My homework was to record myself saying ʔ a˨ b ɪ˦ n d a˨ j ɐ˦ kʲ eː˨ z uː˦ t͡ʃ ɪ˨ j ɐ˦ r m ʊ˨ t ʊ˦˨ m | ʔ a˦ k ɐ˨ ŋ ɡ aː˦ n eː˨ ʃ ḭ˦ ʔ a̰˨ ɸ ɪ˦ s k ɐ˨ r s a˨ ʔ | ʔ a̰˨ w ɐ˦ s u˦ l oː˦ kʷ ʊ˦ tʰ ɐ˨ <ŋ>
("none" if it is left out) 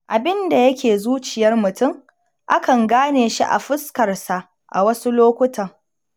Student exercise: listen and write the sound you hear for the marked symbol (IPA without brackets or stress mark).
ŋ